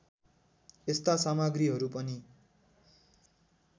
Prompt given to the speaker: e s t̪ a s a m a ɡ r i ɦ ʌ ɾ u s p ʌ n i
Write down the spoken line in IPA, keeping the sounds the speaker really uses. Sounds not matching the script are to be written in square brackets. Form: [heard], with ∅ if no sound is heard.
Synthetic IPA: e s t̪ a s a m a ɡ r i ɦ ʌ ɾ u [∅] p ʌ n i